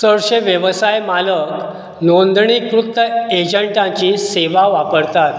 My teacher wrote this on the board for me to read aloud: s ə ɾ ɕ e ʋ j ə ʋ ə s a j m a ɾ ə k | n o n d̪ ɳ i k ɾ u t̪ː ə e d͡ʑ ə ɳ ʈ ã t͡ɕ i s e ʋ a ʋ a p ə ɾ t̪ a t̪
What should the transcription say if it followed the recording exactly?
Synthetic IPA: s ə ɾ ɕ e ʋ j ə ʋ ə s a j m a l ə k | n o n d̪ ɳ i k ɾ u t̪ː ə e d͡ʑ ə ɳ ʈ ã t͡ɕ i s e ʋ a ʋ a p ə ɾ t̪ a t̪